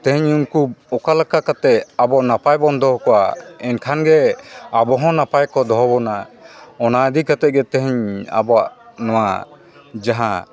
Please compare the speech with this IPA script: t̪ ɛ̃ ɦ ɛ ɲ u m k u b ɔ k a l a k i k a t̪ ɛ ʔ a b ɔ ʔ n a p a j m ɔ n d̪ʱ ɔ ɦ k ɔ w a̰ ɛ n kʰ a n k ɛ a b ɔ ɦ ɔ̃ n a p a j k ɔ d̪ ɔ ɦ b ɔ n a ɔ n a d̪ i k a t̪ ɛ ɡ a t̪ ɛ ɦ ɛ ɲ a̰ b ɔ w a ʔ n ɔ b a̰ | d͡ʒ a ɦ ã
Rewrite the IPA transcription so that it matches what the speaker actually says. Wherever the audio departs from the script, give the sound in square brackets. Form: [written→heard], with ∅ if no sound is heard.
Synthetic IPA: t̪ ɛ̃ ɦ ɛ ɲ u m k u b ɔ k a l a k [i→a] k a t̪ ɛ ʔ a b ɔ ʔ n a p a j [m→b] ɔ n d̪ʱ ɔ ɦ k ɔ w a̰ ɛ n kʰ a n [k→ɡ] ɛ a b ɔ ɦ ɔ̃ n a p a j k ɔ d̪ ɔ ɦ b ɔ n a ɔ n a d̪ i k a t̪ ɛ ɡ [a→ɛ] t̪ ɛ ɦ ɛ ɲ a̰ b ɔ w a ʔ n ɔ [b→w] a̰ | d͡ʒ a ɦ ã

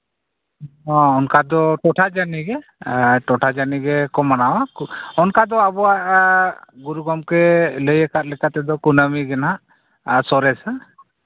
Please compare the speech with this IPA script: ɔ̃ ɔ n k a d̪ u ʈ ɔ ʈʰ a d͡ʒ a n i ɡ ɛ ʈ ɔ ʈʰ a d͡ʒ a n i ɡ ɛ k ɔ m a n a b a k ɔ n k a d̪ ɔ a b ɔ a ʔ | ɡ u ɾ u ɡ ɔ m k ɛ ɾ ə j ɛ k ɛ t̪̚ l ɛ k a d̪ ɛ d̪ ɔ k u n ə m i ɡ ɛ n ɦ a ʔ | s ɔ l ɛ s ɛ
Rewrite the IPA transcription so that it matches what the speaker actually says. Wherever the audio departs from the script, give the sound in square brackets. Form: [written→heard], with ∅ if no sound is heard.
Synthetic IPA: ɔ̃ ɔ n k a d̪ [u→ɔ] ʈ ɔ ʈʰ a d͡ʒ a n i ɡ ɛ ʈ ɔ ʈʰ a d͡ʒ a n i ɡ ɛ k ɔ m a n a [b→w] a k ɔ n k a d̪ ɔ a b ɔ a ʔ | ɡ u ɾ u ɡ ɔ m k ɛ [ɾ→l] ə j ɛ k [ɛ→a] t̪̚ l ɛ k a [d̪→t̪] ɛ d̪ ɔ k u n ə m i ɡ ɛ n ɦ a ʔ | s ɔ [l→ɾ] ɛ s [ɛ→a]

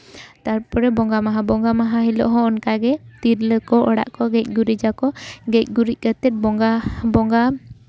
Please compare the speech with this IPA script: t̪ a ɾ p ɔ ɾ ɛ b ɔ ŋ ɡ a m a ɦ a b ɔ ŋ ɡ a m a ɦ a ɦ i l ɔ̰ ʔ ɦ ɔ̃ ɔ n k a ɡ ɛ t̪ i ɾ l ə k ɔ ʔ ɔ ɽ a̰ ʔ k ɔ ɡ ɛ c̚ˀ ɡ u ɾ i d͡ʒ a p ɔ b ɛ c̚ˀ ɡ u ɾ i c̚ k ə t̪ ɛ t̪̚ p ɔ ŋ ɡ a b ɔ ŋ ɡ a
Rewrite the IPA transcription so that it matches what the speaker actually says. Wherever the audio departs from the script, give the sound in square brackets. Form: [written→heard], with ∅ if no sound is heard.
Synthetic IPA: t̪ a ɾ p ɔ ɾ ɛ b ɔ ŋ ɡ a m a ɦ a b ɔ ŋ ɡ a m a ɦ a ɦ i l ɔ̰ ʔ ɦ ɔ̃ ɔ n k a ɡ ɛ t̪ i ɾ l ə k ɔ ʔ ɔ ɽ a̰ ʔ k ɔ ɡ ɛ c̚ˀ ɡ u ɾ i d͡ʒ a [p→k] ɔ [b→ɡ] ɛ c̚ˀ ɡ u ɾ i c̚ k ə t̪ ɛ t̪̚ [p→b] ɔ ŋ ɡ a b ɔ ŋ ɡ a

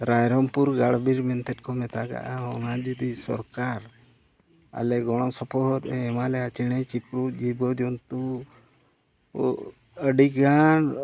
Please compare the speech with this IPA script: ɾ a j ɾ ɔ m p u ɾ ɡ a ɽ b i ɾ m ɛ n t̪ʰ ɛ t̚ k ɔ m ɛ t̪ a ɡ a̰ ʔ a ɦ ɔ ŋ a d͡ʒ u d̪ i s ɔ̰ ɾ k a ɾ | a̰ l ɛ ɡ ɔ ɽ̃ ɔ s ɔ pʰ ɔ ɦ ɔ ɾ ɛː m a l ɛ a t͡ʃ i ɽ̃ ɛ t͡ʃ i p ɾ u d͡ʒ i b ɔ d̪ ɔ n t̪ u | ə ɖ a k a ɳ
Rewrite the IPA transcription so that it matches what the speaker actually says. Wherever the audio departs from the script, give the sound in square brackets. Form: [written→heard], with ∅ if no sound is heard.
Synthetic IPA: ɾ a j ɾ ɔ m p u ɾ ɡ a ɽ b i ɾ m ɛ n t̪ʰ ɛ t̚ k ɔ m ɛ t̪ a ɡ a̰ ʔ a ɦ ɔ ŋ a d͡ʒ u d̪ i s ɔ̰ ɾ k a ɾ | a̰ l ɛ ɡ ɔ ɽ̃ ɔ s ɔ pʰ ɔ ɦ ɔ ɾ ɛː m a l ɛ a t͡ʃ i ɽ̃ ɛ t͡ʃ i p ɾ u d͡ʒ i b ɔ d̪ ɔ n t̪ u | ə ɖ [a→i] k a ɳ

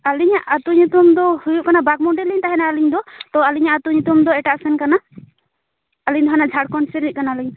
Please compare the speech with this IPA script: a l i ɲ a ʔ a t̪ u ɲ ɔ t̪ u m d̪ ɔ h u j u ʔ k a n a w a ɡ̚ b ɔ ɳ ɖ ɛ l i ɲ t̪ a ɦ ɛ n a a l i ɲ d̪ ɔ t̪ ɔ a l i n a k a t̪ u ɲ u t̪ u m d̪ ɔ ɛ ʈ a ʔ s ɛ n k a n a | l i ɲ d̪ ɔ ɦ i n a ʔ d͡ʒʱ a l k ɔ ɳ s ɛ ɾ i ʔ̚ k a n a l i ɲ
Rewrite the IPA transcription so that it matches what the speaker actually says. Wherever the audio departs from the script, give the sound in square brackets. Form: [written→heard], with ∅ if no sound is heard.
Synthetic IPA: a l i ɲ a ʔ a t̪ u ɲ [ɔ→u] t̪ u m d̪ ɔ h u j u ʔ k a n a [w→b] a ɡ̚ [b→m] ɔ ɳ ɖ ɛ l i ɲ t̪ a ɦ ɛ n a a l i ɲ d̪ ɔ t̪ ɔ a l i [n→ɲ] a [k→ʔ] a t̪ u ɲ u t̪ u m d̪ ɔ ɛ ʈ a ʔ s ɛ n k a n a | l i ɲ d̪ ɔ ɦ [i→a] n a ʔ d͡ʒʱ a [l→ɽ] k ɔ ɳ s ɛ ɾ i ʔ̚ k a n a l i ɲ

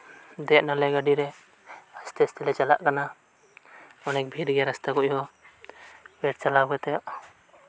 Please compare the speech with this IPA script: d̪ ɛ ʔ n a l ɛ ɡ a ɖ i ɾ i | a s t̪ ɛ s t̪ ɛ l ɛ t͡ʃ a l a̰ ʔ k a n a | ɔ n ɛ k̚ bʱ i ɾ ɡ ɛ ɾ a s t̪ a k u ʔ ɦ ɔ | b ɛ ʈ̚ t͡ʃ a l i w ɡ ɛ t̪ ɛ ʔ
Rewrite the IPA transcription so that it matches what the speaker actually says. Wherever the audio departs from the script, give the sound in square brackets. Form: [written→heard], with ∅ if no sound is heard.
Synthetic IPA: d̪ ɛ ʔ n a l ɛ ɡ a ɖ i ɾ [i→ɛ] | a s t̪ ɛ s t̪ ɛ l ɛ t͡ʃ a l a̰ ʔ k a n a | ɔ n ɛ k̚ bʱ i ɾ ɡ ɛ ɾ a s t̪ a k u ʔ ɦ ɔ | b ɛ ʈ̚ t͡ʃ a l [i→a] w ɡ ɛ t̪ ɛ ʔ

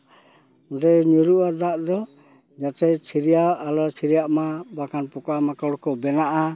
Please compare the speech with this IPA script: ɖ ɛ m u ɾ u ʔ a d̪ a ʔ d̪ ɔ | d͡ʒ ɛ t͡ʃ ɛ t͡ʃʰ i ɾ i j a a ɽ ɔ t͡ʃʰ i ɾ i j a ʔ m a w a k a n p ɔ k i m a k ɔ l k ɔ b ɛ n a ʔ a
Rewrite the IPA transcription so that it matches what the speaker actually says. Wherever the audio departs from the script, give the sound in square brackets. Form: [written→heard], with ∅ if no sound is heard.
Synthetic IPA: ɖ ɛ [m→ɲ] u ɾ u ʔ a d̪ a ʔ d̪ ɔ | d͡ʒ [ɛ→a] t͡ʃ ɛ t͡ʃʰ i ɾ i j a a [ɽ→l] ɔ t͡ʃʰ i ɾ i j a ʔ m a [w→b] a k a n p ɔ k [i→a] m a k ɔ [l→ɽ] k ɔ b ɛ n a ʔ a

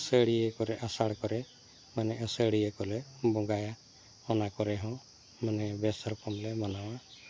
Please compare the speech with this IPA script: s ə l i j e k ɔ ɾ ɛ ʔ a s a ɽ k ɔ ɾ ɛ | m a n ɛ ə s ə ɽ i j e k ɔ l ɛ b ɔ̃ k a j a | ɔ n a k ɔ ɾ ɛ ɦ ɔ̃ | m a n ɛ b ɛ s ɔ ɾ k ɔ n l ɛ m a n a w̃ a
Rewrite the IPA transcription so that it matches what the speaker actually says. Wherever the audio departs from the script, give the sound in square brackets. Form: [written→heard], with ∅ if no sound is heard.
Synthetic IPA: s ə [l→ɽ] i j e k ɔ ɾ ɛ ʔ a s a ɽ k ɔ ɾ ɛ | m a n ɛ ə s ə ɽ i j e k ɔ l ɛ b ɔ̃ [k→ɡ] a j a | ɔ n a k ɔ ɾ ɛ ɦ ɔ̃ | m a n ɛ b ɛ s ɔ ɾ k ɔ [n→m] l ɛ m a n a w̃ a

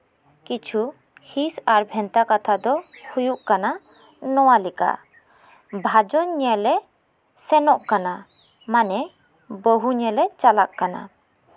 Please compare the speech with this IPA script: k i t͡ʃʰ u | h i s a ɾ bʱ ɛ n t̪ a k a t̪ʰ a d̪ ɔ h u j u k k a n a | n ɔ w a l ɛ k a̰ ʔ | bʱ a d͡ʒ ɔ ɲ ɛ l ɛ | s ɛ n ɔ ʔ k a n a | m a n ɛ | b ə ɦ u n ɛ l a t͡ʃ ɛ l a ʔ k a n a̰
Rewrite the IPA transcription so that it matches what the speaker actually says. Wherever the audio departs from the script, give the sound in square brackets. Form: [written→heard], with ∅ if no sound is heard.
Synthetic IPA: k i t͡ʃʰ u | h i s a ɾ bʱ ɛ n t̪ a k a t̪ʰ a d̪ ɔ h u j u [k→ʔ] k a n a | n ɔ w a l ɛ k a̰ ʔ | bʱ a d͡ʒ ɔ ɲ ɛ l ɛ | s ɛ n ɔ ʔ k a n a | m a n ɛ | b ə ɦ u [n→ɲ] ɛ l [a→ɛ] t͡ʃ [ɛ→a] l a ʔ k a n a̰

